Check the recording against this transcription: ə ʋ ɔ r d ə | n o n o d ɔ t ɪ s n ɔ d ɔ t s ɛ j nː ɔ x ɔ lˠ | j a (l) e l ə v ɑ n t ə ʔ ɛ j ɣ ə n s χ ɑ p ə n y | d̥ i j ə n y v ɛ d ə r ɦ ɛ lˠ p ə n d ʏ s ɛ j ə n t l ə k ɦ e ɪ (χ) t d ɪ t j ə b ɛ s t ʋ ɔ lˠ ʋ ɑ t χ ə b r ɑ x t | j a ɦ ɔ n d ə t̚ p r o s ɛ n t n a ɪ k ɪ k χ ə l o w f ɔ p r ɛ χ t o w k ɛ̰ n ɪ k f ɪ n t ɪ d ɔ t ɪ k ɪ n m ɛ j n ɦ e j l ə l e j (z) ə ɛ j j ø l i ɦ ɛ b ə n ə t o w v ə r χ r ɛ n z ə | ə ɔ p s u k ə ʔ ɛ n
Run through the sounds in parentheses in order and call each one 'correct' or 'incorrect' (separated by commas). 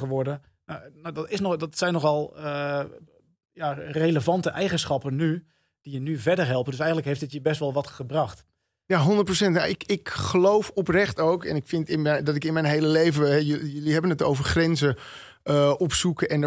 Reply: incorrect, incorrect, incorrect